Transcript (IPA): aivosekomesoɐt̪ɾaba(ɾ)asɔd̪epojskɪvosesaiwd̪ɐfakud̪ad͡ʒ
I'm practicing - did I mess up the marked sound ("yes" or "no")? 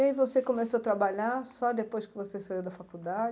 yes